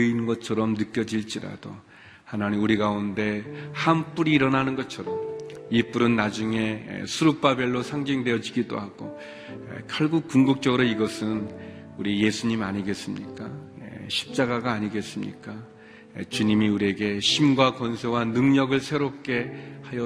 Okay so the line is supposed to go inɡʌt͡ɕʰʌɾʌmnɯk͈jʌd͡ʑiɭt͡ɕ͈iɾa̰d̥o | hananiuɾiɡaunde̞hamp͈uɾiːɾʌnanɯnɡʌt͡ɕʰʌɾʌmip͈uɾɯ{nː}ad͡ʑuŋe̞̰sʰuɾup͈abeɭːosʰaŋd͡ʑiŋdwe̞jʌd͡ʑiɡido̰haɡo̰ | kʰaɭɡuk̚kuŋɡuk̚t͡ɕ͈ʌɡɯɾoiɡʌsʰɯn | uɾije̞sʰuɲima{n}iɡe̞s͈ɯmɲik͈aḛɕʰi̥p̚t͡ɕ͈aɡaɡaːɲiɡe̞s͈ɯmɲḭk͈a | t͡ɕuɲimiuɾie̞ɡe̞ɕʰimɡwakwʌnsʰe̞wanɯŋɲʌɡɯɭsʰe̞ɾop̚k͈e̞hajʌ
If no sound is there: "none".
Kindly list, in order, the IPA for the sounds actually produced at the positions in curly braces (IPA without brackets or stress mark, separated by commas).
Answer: nː, ɲ